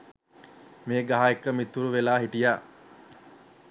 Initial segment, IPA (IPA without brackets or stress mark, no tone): m